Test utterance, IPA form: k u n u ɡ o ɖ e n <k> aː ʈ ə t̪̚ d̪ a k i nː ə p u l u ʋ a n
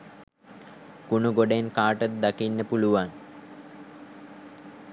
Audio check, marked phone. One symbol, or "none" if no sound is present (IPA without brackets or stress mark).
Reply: k